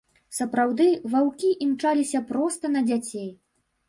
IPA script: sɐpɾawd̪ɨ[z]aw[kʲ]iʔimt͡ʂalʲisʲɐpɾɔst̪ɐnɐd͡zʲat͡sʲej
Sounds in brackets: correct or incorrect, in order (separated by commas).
incorrect, correct